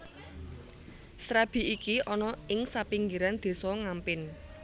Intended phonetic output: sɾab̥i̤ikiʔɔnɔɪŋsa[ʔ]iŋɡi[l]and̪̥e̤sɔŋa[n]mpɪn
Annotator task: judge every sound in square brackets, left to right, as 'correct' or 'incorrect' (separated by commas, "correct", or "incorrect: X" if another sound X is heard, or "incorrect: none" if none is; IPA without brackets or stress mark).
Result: incorrect: p, incorrect: ɾ, incorrect: none